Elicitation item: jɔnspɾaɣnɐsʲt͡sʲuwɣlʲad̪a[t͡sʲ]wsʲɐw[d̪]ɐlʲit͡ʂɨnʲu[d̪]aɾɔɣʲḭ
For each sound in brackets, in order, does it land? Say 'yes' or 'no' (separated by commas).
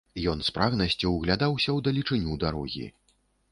no, yes, yes